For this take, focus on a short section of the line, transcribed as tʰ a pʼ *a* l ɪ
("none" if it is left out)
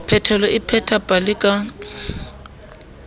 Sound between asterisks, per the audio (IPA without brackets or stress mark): a